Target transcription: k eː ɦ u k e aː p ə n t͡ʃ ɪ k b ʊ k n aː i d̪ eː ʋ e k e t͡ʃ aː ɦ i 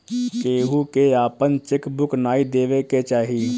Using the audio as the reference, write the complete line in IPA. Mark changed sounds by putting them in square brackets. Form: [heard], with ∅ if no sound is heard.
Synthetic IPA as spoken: k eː ɦ u k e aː p ə n t͡ʃ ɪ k b ʊ k n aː i d̪ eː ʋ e k e t͡ʃ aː ɦ i